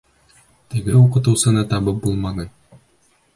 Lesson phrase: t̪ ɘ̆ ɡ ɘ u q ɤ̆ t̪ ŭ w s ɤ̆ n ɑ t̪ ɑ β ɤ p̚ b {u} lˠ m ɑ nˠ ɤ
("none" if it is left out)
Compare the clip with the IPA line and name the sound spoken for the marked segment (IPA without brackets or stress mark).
u